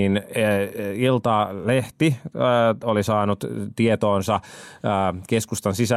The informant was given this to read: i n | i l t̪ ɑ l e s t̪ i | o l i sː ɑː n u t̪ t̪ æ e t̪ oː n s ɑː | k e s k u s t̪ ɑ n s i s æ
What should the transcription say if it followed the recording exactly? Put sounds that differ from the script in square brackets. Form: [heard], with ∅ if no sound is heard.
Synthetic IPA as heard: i n | i l t̪ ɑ l e [h] t̪ i | o l i [s] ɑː n u t̪ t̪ [i] e t̪ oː n s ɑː | k e s k u s t̪ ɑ n s i s æ